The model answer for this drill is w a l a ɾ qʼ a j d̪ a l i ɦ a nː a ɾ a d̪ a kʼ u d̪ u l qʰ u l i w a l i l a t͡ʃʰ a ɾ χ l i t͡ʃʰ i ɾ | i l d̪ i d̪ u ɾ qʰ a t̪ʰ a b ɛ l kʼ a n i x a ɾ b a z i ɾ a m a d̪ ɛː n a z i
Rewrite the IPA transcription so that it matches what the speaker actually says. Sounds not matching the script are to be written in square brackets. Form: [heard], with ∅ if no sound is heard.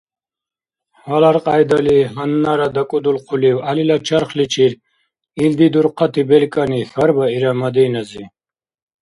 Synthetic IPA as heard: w a l a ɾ qʼ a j d̪ a l i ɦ a nː a ɾ a d̪ a kʼ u d̪ u l qʰ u l i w a l i l a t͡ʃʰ a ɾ χ l i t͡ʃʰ i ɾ | i l d̪ i d̪ u ɾ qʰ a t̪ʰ [i] b ɛ l kʼ a n i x a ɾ b a [∅] i ɾ a m a d̪ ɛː n a z i